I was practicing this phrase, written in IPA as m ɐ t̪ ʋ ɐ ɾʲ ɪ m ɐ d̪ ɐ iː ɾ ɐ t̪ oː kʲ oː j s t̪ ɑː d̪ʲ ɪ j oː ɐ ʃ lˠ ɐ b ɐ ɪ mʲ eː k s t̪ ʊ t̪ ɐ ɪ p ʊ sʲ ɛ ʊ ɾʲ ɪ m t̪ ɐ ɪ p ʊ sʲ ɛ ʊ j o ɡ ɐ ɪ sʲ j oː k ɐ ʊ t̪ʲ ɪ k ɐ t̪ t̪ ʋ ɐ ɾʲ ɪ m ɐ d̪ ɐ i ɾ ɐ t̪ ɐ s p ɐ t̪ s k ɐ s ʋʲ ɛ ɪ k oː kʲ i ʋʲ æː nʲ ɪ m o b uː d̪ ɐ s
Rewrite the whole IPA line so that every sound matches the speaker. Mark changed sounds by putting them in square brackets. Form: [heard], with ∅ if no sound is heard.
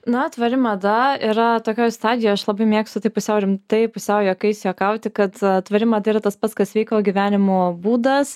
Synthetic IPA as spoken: [n] ɐ t̪ ʋ ɐ ɾʲ ɪ m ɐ d̪ ɐ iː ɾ ɐ t̪ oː kʲ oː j s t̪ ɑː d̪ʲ ɪ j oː ɐ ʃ lˠ ɐ b ɐ ɪ mʲ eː k s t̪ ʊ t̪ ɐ ɪ p ʊ sʲ ɛ ʊ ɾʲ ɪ m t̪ ɐ ɪ p ʊ sʲ ɛ ʊ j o [k] ɐ ɪ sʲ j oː k ɐ ʊ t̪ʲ ɪ k ɐ t̪ t̪ ʋ ɐ ɾʲ ɪ m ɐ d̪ ɐ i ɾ ɐ t̪ ɐ s p ɐ t̪ s k ɐ s ʋʲ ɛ ɪ k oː [ɡʲ] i ʋʲ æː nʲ ɪ m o b uː d̪ ɐ s